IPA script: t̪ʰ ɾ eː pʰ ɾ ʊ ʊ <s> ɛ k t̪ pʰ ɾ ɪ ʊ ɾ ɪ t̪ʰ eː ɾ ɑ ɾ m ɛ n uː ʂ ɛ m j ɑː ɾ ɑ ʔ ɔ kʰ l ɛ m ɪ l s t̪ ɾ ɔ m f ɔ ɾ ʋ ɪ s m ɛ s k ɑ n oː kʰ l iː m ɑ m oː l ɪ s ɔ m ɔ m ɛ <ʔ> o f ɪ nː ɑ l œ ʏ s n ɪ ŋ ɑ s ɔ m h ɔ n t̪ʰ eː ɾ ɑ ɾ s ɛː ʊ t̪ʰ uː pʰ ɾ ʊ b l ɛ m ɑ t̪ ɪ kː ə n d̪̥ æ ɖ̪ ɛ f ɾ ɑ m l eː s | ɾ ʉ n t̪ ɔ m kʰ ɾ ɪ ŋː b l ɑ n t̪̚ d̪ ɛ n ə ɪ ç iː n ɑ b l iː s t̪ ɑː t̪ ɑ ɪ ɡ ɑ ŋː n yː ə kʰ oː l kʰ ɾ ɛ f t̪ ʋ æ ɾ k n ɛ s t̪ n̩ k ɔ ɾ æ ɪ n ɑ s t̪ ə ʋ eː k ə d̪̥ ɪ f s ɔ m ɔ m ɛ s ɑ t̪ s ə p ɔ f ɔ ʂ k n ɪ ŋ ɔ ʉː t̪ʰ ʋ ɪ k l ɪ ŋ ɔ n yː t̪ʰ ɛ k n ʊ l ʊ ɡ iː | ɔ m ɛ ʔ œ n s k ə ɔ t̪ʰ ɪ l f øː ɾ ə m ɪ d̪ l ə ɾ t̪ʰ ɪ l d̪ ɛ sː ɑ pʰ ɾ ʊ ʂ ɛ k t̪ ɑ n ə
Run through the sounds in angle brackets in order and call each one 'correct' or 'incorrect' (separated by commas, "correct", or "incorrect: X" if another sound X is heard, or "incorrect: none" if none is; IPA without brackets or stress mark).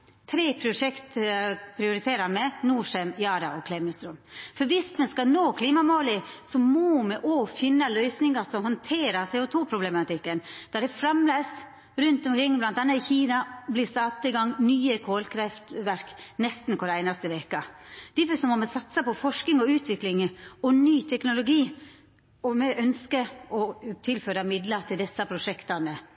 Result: incorrect: ʂ, correct